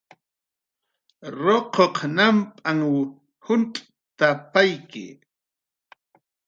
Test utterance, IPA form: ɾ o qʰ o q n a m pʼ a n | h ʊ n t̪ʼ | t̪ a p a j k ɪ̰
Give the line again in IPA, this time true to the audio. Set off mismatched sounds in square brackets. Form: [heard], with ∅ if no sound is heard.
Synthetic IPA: ɾ o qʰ o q n a m pʼ a [ŋ] | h ʊ n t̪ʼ | t̪ a p a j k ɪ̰